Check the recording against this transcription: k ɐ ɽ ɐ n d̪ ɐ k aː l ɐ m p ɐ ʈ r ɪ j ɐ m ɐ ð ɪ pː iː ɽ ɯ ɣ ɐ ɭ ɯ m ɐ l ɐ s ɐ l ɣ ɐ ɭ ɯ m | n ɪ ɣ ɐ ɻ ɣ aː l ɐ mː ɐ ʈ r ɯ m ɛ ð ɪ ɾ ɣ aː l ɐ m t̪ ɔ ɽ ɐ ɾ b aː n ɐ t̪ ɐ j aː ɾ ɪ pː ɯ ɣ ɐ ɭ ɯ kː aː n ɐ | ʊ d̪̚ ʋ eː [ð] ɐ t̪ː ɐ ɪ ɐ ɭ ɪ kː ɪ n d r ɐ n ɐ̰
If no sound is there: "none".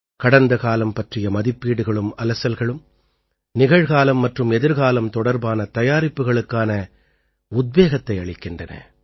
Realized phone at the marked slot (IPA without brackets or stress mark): ɣ